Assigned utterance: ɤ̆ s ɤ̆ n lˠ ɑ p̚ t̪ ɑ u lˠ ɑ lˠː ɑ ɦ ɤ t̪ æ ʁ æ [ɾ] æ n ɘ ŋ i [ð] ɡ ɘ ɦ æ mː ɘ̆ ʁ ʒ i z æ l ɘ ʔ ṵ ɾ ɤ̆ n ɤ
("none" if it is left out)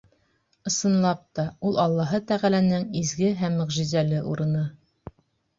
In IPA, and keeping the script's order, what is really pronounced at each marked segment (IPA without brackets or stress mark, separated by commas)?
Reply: l, z